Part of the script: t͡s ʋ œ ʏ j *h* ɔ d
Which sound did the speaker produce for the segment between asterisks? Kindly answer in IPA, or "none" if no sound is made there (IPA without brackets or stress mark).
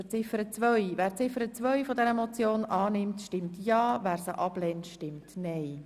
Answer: f